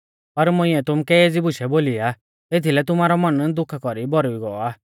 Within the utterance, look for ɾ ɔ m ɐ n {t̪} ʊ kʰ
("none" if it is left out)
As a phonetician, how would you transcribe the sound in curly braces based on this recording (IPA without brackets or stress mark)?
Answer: d̪